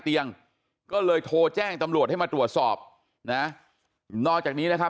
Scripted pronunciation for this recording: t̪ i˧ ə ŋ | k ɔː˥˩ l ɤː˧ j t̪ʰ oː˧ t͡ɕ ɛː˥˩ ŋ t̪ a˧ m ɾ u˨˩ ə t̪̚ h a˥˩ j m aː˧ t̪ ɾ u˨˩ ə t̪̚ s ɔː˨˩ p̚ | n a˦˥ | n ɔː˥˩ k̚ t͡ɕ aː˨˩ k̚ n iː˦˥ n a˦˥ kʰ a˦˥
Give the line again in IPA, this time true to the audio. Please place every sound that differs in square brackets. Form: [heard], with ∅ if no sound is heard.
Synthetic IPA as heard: t̪ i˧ ə ŋ | k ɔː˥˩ l ɤː˧ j t̪ʰ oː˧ t͡ɕ ɛː˥˩ ŋ t̪ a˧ m ɾ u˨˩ ə t̪̚ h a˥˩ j m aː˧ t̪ ɾ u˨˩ ə t̪̚ s ɔː˨˩ p̚ | n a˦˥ | n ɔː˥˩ k̚ t͡ɕ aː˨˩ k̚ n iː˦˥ n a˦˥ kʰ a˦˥